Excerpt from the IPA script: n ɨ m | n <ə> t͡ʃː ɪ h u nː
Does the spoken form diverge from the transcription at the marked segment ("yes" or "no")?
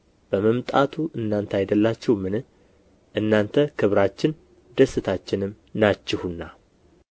yes